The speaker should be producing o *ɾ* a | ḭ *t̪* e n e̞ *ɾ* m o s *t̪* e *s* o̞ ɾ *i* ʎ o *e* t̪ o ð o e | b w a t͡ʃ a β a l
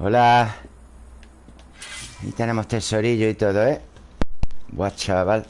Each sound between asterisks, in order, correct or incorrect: incorrect, correct, incorrect, correct, correct, correct, incorrect

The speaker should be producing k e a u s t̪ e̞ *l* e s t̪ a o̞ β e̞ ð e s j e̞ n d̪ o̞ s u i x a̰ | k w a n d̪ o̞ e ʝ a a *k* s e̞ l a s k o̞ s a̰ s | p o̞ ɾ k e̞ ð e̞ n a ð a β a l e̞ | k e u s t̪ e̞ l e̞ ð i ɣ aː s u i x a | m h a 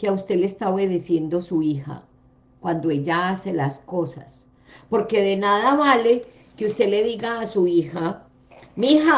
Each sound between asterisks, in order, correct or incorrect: correct, incorrect

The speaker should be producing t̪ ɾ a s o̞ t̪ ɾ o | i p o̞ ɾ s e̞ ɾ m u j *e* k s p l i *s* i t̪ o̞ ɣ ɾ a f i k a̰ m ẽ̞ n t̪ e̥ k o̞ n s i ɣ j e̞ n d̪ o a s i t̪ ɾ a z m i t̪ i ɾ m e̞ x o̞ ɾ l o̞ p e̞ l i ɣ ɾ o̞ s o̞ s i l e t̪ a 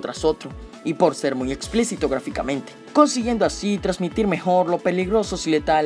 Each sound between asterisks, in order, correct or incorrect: correct, correct

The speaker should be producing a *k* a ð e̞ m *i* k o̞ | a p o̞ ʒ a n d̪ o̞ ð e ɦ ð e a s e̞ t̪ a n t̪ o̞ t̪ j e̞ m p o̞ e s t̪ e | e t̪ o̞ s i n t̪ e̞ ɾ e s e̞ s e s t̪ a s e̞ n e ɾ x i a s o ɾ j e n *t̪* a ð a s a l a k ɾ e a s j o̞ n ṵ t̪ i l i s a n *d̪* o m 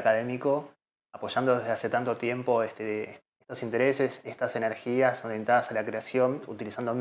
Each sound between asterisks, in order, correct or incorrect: correct, correct, correct, correct

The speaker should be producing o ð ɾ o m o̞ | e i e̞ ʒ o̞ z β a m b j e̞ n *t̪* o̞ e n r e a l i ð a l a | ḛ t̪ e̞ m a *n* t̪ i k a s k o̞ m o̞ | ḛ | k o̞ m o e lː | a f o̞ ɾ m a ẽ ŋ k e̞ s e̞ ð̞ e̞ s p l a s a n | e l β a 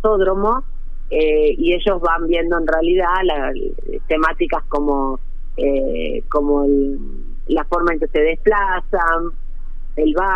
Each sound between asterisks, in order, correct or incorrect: incorrect, incorrect

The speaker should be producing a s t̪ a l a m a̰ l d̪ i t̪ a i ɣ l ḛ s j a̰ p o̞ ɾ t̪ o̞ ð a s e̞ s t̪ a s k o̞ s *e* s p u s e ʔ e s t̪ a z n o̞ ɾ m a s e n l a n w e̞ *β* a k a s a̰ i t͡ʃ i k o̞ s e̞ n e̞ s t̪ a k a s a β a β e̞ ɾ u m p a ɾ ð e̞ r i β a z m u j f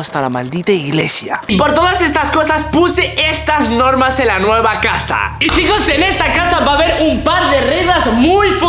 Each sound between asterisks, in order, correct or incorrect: incorrect, correct

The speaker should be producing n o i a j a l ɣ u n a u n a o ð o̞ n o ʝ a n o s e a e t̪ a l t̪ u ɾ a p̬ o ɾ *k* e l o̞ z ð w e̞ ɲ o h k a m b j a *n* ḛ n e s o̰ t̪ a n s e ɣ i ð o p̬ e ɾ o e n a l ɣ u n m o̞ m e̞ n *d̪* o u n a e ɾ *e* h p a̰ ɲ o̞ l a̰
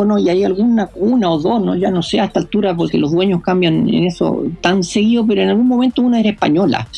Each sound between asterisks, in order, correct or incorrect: correct, correct, incorrect, correct

